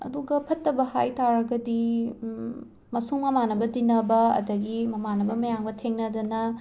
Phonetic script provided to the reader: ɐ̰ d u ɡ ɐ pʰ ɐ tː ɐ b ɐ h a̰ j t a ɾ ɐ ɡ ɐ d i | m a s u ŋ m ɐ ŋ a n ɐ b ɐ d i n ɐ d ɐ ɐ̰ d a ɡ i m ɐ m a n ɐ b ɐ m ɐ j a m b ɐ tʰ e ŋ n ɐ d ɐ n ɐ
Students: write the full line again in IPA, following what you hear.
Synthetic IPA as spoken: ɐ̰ d u ɡ ɐ pʰ ɐ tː ɐ b ɐ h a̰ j t a ɾ ɐ ɡ ɐ d i | m ɐ s u ŋ m ɐ m a n ɐ b ɐ d i n ɐ b ɐ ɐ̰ d ɐ ɡ i m ɐ m a n ɐ b ɐ m ɐ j a ŋ b ɐ tʰ e ŋ n ɐ d ɐ n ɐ